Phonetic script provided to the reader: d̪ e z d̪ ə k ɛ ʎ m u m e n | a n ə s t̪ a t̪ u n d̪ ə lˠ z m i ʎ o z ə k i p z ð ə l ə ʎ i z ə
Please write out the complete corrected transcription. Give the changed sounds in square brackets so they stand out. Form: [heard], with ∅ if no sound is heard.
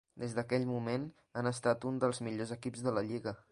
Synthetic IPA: d̪ e z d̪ ə k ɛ ʎ m u m e n | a n ə s t̪ a t̪ u n d̪ ə lˠ z m i ʎ o z ə k i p z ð ə l ə ʎ i [ɣ] ə